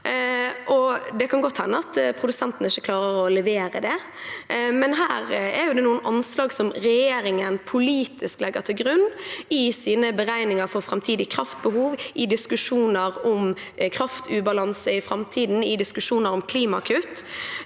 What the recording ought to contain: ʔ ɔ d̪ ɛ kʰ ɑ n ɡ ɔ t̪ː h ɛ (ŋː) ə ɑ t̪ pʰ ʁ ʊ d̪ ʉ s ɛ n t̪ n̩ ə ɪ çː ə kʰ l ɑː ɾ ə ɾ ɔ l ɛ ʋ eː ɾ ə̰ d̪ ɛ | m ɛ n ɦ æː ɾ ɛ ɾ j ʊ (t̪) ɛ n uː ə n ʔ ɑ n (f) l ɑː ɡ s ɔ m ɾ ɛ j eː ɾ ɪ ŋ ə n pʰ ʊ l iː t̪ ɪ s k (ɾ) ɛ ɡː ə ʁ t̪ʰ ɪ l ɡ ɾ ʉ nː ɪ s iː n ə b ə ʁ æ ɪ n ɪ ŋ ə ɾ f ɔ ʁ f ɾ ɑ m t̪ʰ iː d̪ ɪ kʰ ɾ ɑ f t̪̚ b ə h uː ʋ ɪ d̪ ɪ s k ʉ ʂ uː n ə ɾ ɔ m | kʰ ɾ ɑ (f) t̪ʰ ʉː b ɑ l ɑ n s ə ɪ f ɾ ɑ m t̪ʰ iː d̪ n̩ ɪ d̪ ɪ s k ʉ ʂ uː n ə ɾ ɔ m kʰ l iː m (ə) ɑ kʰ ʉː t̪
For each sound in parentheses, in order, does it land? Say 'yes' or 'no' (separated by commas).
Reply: no, no, no, no, yes, no